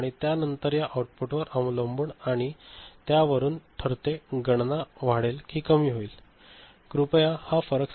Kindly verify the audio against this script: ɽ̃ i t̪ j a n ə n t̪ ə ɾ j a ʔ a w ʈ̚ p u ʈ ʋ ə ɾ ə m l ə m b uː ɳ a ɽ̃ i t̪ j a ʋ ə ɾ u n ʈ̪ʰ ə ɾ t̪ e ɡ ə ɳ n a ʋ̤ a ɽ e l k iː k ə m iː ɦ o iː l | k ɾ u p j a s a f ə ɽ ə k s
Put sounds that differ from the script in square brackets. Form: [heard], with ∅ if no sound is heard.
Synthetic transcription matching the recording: ɽ̃ i t̪ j a n ə n t̪ ə ɾ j a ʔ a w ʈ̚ p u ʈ ʋ ə ɾ ə m l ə m b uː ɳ a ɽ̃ i t̪ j a ʋ ə ɾ [uː] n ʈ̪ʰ ə ɾ t̪ e ɡ ə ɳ n a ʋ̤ a ɽ e l k iː k ə m iː ɦ o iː l | k ɾ u p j a [h] a f ə [ɾ] ə k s